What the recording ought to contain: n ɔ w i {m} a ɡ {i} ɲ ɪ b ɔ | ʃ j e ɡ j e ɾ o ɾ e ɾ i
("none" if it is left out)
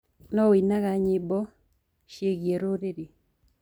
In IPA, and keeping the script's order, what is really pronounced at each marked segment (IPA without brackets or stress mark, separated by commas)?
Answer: n, a